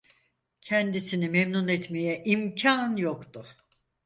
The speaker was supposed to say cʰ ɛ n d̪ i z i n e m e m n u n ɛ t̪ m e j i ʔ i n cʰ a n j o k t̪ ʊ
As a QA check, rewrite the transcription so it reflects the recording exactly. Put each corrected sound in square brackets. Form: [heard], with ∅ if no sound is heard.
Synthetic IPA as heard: cʰ ɛ n d̪ i [s] i n [i] m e m n u n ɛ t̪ m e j [ɛ] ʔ i [m] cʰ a n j o k t̪ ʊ